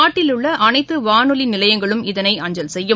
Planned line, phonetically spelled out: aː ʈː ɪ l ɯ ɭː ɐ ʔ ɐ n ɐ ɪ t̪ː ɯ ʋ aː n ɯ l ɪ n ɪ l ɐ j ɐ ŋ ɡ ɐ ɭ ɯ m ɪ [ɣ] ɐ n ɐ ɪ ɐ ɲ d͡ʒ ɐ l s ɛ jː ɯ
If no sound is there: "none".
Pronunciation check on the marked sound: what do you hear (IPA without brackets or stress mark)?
ð